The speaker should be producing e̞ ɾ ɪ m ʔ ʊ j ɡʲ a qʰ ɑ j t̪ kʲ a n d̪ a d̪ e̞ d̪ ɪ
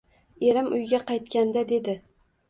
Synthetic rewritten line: e̞ ɾ ɪ m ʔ ʊ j ɡʲ a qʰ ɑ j t̪ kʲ a n d̪ a d̪ e̞ d̪ ɪ